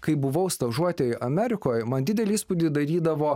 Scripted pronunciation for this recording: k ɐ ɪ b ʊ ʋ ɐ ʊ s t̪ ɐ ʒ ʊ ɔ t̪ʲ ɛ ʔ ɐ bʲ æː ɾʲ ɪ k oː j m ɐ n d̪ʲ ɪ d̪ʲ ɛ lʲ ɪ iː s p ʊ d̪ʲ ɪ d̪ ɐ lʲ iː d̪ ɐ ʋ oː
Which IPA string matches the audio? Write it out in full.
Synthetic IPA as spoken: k ɐ ɪ b ʊ ʋ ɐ ʊ s t̪ ɐ ʒ u ɔ t̪ʲ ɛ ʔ ɐ mʲ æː ɾʲ ɪ k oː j m ɐ n d̪ʲ ɪ d̪ʲ ɛ lʲ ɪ iː s p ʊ d̪ʲ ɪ d̪ ɐ ɾʲ iː d̪ ɐ ʋ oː